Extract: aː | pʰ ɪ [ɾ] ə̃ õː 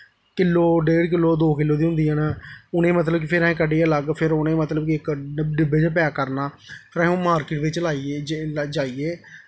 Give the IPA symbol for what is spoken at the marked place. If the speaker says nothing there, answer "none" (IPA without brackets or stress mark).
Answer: ɾ